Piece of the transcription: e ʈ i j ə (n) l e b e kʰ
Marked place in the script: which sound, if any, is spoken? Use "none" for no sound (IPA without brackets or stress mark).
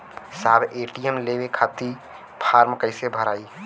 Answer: m